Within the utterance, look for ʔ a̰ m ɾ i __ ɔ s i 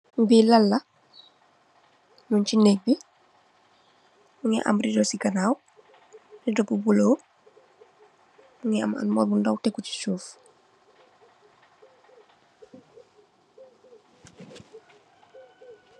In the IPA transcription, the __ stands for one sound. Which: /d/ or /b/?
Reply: d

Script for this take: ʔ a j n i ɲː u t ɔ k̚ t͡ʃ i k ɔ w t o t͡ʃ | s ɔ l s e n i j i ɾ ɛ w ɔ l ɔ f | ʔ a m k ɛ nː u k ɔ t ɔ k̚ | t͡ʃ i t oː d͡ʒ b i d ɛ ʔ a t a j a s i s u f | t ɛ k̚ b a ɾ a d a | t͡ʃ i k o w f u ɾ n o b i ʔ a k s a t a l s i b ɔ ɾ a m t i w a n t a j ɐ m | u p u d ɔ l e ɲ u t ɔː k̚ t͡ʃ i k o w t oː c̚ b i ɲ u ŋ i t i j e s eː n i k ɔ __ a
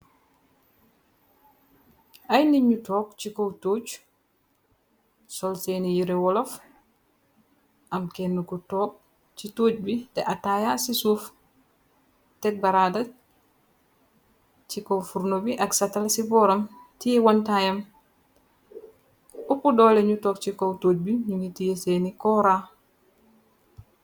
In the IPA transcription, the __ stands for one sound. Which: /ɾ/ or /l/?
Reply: ɾ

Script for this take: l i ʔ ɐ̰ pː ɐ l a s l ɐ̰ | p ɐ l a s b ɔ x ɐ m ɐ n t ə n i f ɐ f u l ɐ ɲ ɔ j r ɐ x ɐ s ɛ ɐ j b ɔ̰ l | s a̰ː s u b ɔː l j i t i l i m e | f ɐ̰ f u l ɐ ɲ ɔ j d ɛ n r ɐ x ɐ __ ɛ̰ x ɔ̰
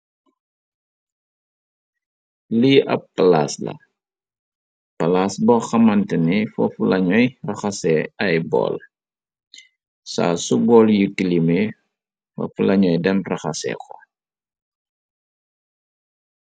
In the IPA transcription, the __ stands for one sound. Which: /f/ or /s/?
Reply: s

